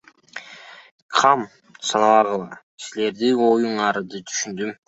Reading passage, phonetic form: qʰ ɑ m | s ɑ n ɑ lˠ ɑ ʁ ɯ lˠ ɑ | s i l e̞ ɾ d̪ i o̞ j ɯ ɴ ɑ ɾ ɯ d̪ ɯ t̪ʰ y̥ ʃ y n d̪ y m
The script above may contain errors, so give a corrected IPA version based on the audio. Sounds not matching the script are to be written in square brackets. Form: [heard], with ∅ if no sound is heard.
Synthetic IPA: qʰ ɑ m | s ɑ n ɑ lˠ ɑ ʁ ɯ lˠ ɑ | s i l e̞ ɾ d̪ i o̞ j [u] ɴ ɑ ɾ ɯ d̪ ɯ t̪ʰ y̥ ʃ y n d̪ y m